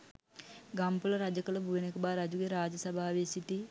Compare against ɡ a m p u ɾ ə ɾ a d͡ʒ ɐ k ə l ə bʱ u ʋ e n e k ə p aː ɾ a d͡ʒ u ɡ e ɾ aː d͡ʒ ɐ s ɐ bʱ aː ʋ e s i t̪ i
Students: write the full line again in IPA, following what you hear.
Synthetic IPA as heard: ɡ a m p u l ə ɾ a d͡ʒ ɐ k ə l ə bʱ u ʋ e n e k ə b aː ɾ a d͡ʒ u ɡ e ɾ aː d͡ʒ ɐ s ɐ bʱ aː ʋ e s i t̪ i